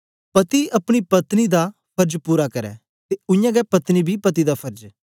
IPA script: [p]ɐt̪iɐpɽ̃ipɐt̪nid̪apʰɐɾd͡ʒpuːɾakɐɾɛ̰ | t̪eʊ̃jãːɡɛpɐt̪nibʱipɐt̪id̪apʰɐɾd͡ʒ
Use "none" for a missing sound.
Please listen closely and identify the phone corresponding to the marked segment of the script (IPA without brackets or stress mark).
p